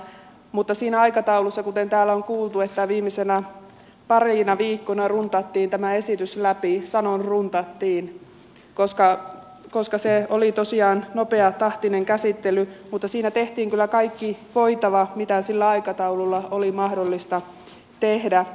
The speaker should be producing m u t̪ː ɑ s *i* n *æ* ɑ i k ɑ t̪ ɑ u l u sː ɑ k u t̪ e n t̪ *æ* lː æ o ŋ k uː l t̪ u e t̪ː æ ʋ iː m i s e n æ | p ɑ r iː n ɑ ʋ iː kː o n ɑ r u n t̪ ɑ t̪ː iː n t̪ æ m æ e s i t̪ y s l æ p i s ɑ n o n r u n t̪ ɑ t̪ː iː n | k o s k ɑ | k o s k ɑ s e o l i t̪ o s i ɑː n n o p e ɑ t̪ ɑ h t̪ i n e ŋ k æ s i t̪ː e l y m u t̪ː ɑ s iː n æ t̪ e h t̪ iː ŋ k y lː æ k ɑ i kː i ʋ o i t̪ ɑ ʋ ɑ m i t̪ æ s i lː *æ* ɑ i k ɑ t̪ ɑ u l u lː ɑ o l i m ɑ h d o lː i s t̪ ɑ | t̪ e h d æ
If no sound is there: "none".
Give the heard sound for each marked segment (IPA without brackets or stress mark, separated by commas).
iː, æ, æː, æ